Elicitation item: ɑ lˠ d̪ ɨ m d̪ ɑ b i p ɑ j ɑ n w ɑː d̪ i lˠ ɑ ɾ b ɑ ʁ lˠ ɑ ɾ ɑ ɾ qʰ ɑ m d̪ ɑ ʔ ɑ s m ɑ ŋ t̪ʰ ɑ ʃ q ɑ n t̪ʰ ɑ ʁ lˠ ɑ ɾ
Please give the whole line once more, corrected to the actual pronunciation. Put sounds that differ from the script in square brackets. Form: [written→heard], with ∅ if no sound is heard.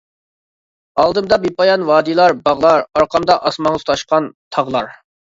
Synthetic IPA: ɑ lˠ d̪ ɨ m d̪ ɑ b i p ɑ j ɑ n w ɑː d̪ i lˠ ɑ ɾ b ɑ ʁ lˠ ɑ ɾ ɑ ɾ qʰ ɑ m d̪ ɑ ʔ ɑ s m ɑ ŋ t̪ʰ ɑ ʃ q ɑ n t̪ʰ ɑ ʁ lˠ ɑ ɾ